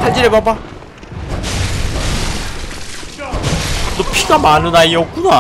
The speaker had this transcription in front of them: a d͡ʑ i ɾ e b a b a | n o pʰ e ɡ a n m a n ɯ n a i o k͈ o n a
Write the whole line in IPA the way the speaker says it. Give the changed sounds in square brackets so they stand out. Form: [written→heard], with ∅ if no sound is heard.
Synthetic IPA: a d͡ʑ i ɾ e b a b a | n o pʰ [e→i] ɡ a [n→∅] m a n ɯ n a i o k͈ [o→u] n a

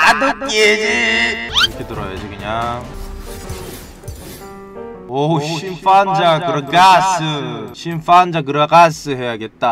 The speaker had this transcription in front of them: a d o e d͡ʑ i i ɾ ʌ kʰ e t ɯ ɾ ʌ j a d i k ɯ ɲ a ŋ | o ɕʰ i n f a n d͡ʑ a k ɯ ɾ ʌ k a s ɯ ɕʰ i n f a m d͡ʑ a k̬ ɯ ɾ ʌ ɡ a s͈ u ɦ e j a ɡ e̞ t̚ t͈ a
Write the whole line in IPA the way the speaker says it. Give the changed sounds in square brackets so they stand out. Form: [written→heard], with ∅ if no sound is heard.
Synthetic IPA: a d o e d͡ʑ i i ɾ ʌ kʰ e t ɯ ɾ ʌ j a [d→d͡ʑ] i k ɯ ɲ a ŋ | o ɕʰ i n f a n d͡ʑ a k ɯ ɾ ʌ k a s ɯ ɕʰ i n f a [m→n] d͡ʑ a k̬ ɯ ɾ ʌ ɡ a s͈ [u→ɯ] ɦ e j a ɡ e̞ t̚ t͈ a

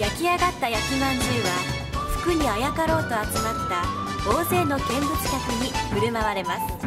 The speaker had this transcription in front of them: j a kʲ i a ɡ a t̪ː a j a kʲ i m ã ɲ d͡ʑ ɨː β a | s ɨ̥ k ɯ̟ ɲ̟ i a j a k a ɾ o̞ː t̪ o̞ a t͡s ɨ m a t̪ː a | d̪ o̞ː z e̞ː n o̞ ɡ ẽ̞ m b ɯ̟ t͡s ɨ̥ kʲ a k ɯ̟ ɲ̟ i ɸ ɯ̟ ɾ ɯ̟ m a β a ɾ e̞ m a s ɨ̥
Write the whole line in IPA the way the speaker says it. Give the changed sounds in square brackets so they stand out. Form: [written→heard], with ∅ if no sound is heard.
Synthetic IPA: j a kʲ i a ɡ a t̪ː a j a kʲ i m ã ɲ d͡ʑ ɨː β a | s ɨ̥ k ɯ̟ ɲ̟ i a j a k a ɾ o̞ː t̪ o̞ a t͡s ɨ m a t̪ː a | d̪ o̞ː z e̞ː n o̞ ɡ ẽ̞ m b ɯ̟ t͡s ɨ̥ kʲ a k ɯ̟ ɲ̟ i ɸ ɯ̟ ɾ ɯ̟ m a β a ɾ e̞ m a s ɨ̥

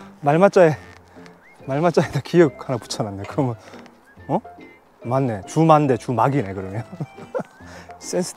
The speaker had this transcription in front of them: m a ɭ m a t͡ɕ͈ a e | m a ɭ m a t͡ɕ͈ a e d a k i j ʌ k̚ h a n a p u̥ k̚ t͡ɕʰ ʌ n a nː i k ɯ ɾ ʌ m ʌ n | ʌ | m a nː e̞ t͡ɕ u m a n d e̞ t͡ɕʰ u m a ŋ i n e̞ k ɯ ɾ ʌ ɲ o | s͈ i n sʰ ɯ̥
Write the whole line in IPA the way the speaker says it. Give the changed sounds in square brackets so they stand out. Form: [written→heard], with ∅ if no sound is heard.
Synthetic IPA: m a ɭ m a t͡ɕ͈ a e | m a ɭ m a t͡ɕ͈ a e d a k i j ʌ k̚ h a n a p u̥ [k̚→∅] t͡ɕʰ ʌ n a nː [i→e] k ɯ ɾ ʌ m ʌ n | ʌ | m a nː e̞ t͡ɕ u m a n d e̞ [t͡ɕʰ→t͡ɕ] u m a [ŋ→ɡ] i n e̞ k ɯ ɾ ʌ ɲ o | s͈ [i→e] n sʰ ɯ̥

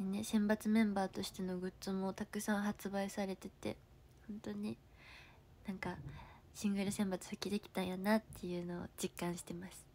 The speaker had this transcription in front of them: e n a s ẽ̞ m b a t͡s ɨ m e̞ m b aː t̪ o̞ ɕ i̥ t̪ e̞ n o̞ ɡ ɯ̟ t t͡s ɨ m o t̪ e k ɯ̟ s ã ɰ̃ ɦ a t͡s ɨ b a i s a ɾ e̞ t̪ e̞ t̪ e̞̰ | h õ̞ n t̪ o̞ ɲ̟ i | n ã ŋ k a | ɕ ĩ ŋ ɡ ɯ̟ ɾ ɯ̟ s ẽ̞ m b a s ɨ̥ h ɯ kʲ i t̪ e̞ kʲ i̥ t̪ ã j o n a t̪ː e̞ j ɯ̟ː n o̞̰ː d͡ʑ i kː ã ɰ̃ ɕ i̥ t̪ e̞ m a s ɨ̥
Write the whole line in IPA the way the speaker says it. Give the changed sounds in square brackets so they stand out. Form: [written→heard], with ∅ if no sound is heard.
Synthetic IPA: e n [a→e] s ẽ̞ m b a t͡s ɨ m [e̞→ẽ̞] m b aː t̪ o̞ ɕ i̥ t̪ e̞ n o̞ ɡ ɯ̟ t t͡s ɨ m o t̪ [e→a] k ɯ̟ s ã ɰ̃ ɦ a t͡s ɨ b a i s a ɾ e̞ t̪ e̞ t̪ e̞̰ | h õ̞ n t̪ o̞ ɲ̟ i | n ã ŋ k a | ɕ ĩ ŋ ɡ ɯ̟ ɾ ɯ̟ s ẽ̞ m b a [s→t͡s] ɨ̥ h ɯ kʲ i [t̪→d̪] e̞ kʲ i̥ t̪ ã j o n a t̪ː e̞ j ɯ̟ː n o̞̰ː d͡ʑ i kː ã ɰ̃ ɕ i̥ t̪ e̞ m a s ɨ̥

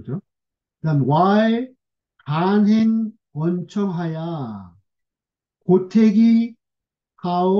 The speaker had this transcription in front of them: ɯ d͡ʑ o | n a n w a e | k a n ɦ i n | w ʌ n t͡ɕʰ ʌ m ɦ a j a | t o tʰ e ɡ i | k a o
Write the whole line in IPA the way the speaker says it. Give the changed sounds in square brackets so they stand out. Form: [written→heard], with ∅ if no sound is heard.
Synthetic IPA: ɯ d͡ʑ o | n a n w a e | k a n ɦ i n | w ʌ n t͡ɕʰ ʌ [m→ŋ] ɦ a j a | [t→k] o tʰ e ɡ i | k a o

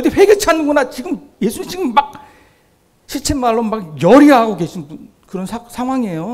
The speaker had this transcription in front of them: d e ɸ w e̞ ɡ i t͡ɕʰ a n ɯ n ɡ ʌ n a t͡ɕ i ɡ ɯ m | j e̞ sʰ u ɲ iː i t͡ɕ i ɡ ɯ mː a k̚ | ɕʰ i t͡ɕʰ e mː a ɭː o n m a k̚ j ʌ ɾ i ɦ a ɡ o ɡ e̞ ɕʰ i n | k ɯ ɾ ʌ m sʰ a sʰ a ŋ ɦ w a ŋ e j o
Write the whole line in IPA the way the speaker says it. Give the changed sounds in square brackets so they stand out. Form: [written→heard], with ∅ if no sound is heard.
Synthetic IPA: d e ɸ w e̞ ɡ [i→e] t͡ɕʰ a n ɯ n ɡ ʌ n a t͡ɕ i ɡ ɯ m | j e̞ sʰ u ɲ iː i t͡ɕ i ɡ ɯ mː a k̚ | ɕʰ i t͡ɕʰ e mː a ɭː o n m a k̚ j ʌ ɾ i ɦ a ɡ o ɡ e̞ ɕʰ i n | k ɯ ɾ ʌ [m→n] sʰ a sʰ a ŋ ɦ w a ŋ e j o

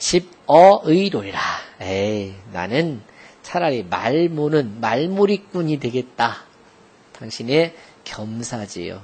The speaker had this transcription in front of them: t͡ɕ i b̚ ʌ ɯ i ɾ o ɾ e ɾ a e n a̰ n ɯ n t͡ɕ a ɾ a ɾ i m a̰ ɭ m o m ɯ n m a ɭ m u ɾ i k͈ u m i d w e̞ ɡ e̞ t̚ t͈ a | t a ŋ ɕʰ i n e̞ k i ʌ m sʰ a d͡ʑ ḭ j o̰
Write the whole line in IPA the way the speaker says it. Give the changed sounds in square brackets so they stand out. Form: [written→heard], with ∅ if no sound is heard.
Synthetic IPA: t͡ɕ i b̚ ʌ ɯ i ɾ o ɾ [e→i] ɾ a e n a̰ n ɯ n [t͡ɕ→t͡ɕʰ] a ɾ a ɾ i m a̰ ɭ m o [m→n] ɯ n m a ɭ m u ɾ i k͈ u [m→ɲ] i d w e̞ ɡ e̞ t̚ t͈ a | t a ŋ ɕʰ i n e̞ k [i→j] ʌ m sʰ a d͡ʑ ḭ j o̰

